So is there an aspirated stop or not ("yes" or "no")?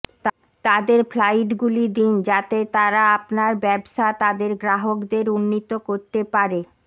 no